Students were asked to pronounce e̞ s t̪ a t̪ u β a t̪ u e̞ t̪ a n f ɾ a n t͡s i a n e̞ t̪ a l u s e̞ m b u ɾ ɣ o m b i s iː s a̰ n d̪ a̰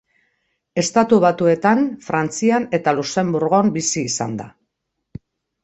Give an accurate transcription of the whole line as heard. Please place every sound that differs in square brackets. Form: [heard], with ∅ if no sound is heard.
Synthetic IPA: e̞ s t̪ a t̪ u β a t̪ u e̞ t̪ a n f ɾ a n t͡s i a n e̞ t̪ a l u s e̞ m b u ɾ ɣ o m b i s iː s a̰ n d̪ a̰